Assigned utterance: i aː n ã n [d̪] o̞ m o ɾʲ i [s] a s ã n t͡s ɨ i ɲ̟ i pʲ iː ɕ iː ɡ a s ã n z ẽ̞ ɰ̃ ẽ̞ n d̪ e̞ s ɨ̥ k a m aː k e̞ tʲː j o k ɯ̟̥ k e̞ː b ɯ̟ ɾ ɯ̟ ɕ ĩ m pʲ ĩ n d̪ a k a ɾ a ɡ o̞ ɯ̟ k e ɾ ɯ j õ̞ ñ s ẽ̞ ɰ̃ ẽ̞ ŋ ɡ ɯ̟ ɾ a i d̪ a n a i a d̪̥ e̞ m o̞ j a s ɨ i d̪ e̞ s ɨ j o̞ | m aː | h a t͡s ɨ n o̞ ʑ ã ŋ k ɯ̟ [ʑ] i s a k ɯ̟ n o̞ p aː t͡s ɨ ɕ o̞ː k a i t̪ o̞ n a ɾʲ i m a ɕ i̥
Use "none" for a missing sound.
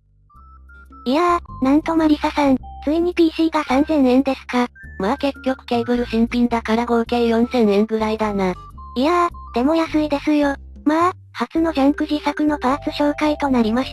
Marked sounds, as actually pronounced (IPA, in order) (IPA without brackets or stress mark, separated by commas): t̪, s, ʑ